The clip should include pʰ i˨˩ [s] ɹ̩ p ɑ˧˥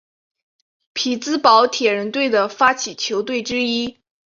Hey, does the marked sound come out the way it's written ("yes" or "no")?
no